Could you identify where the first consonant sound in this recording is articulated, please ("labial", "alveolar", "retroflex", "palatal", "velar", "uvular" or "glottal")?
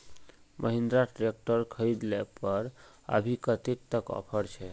labial